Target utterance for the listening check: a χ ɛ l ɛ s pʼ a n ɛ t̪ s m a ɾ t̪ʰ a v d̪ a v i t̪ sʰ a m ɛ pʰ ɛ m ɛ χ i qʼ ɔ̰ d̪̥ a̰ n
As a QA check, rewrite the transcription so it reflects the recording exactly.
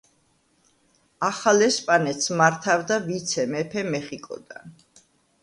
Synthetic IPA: a χ a l ɛ s pʼ a n ɛ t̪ s m a ɾ t̪ʰ a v d̪ a v i t̪ sʰ ɛ m ɛ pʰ ɛ m ɛ χ i kʼ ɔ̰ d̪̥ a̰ n